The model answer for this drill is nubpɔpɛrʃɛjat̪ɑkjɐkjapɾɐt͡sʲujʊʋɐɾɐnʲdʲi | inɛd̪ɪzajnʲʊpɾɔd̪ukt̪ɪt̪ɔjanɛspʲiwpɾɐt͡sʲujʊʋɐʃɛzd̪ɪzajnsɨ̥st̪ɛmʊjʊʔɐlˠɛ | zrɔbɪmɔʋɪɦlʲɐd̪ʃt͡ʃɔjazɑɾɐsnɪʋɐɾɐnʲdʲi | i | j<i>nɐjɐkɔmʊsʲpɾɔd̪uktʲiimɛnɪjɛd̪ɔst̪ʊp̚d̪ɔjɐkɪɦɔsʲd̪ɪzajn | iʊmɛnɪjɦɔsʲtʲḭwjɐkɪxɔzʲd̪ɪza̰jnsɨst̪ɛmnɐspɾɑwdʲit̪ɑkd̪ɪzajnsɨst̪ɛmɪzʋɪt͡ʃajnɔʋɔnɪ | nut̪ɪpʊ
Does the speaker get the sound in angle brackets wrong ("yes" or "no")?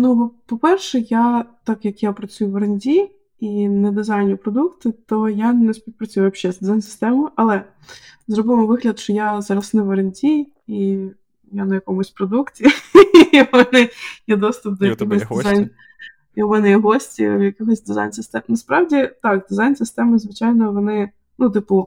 yes